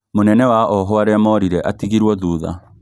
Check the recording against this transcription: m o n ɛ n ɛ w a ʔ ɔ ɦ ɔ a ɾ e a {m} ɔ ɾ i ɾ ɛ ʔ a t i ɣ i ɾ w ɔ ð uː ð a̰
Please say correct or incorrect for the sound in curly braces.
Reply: correct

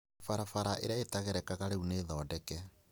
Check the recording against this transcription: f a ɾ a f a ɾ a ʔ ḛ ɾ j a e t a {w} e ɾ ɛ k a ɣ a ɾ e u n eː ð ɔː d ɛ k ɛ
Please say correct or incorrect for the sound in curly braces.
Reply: incorrect: ɣ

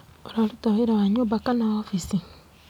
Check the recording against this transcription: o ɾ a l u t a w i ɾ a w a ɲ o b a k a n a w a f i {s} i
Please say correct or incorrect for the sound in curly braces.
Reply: correct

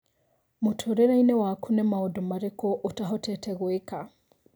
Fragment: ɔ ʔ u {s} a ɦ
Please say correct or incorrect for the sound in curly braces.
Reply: incorrect: t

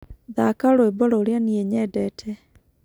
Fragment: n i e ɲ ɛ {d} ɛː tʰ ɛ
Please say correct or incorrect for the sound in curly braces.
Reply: correct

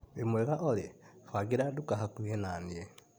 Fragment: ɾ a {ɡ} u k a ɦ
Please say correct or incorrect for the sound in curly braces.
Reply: incorrect: d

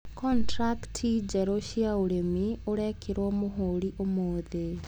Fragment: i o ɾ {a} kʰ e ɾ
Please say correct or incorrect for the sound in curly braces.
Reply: incorrect: ɛ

